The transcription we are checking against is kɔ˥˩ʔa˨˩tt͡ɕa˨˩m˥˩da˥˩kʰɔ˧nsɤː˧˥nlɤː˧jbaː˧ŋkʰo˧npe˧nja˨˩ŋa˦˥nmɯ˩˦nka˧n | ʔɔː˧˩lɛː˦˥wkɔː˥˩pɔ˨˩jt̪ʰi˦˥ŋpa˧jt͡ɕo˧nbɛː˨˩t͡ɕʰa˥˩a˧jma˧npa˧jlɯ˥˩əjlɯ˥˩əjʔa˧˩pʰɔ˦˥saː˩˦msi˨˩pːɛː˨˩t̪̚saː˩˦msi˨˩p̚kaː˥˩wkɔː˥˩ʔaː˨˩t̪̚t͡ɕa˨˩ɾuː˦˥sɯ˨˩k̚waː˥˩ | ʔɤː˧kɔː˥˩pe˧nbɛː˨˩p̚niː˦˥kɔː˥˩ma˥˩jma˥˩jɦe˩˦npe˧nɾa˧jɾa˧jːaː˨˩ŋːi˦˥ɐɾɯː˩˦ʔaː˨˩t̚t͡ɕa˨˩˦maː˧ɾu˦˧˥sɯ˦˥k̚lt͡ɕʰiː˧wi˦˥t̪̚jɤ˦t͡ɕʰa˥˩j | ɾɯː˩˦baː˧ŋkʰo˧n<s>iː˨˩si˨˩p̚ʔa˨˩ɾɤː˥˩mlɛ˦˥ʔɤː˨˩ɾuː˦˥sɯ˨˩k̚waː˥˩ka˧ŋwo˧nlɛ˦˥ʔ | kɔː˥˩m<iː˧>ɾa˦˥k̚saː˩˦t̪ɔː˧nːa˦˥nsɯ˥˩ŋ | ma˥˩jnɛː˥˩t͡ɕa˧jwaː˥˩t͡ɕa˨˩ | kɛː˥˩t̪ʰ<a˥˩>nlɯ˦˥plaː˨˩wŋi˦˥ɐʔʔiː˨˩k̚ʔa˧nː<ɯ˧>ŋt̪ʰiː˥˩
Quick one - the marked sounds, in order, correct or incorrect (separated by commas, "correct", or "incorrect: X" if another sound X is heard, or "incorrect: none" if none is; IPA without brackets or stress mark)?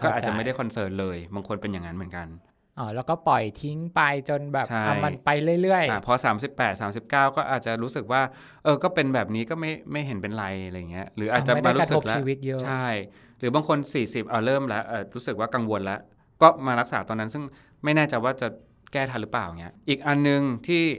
correct, incorrect: aː˧, incorrect: a˧, correct